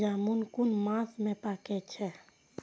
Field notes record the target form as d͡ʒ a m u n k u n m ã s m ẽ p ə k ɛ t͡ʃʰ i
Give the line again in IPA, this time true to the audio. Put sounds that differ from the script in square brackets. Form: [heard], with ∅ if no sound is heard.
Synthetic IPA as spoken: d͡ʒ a m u n k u n m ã s m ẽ p [a] k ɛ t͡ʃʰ [ɛ]